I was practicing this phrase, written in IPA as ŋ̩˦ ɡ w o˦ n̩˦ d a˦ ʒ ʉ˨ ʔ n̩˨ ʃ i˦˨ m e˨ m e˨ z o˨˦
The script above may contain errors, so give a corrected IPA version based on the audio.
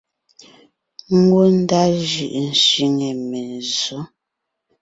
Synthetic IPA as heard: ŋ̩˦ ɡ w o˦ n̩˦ d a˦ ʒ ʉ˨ ʔ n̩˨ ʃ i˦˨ ŋ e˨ m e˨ z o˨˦

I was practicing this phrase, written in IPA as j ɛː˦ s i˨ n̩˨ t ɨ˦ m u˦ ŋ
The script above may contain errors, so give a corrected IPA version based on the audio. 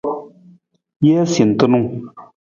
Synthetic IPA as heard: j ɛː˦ s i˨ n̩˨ t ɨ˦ n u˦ ŋ

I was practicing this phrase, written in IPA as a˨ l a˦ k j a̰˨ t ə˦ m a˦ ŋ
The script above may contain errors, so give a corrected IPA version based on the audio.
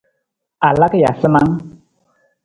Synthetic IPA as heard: a˨ l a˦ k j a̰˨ s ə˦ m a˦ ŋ

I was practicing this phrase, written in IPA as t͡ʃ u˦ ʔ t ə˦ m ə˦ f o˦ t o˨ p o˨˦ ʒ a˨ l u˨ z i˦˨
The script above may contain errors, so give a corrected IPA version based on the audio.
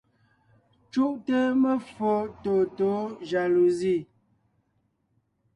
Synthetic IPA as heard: t͡ʃ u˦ ʔ t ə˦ m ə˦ f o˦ t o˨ t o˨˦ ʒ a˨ l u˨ z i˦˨

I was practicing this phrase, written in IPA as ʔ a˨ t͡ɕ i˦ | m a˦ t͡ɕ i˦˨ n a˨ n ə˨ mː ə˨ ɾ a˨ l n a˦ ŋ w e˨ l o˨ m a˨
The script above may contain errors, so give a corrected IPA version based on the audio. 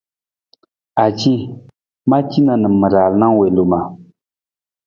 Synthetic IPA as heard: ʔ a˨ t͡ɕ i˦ | m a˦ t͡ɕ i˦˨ n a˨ n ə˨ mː ə˨ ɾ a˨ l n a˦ ŋ w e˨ l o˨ m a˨

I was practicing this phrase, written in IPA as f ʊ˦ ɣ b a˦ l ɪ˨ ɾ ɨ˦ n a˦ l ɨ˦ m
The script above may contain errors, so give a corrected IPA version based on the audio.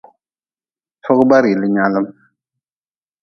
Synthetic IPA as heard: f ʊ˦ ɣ b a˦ ɾ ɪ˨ l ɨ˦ ɲ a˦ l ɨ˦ m

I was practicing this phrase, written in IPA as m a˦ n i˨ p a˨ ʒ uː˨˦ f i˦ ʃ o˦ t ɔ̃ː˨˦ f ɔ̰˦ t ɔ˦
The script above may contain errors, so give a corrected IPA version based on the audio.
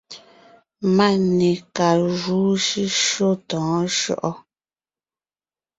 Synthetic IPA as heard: m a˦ n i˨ k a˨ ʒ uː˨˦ ʃ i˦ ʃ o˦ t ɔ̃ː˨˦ ʃ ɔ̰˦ ʔ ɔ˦

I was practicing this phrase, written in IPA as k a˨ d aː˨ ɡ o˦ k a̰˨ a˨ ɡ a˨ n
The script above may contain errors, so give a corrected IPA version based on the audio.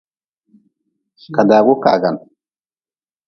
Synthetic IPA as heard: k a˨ d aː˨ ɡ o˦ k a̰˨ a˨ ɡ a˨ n

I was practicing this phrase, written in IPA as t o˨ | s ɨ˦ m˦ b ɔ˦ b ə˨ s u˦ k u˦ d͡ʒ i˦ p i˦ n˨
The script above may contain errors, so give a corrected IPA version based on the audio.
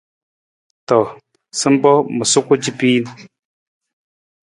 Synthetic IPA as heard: t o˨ | s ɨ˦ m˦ b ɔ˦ m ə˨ s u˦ k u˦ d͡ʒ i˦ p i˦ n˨

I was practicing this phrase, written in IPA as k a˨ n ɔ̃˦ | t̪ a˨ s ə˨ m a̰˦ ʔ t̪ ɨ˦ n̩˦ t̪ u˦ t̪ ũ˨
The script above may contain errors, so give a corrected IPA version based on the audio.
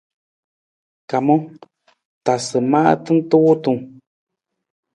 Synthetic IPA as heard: k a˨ m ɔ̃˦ | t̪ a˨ s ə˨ m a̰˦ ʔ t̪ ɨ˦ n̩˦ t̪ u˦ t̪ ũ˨

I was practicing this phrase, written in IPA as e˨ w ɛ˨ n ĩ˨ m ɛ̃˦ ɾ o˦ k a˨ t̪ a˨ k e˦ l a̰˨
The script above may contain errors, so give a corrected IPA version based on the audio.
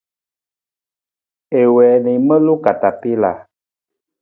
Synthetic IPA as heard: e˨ w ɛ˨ n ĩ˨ m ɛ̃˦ l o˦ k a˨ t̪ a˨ p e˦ l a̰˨

